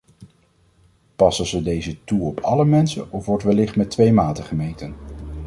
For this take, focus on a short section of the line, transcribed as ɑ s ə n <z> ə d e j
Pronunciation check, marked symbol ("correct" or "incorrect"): correct